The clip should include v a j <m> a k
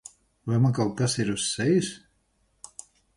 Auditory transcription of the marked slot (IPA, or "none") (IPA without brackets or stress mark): m